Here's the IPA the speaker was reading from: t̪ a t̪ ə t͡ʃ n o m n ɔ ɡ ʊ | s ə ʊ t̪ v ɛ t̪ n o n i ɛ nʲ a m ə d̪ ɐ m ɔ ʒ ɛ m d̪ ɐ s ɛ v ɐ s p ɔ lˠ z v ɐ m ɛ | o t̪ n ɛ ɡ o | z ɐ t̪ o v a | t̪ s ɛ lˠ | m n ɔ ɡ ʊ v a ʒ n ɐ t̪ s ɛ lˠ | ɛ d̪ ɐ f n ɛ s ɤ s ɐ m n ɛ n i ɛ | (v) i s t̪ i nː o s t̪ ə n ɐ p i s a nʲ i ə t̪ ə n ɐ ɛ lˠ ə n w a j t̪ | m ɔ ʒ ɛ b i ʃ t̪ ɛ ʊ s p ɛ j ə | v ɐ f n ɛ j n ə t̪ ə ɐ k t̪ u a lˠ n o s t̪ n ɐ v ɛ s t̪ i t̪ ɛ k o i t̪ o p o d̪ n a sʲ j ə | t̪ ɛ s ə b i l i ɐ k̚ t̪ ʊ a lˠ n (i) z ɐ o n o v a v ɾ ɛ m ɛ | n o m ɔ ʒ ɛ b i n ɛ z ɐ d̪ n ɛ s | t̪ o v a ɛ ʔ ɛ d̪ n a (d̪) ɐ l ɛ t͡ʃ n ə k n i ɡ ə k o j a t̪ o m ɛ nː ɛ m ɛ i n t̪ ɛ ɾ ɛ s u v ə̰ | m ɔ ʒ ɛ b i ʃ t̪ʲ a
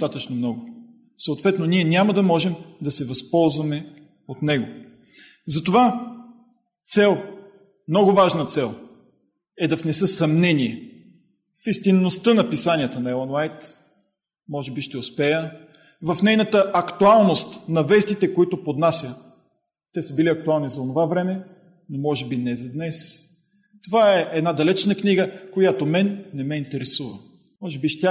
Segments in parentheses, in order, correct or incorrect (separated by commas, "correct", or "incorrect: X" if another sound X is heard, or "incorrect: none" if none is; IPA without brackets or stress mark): incorrect: f, correct, correct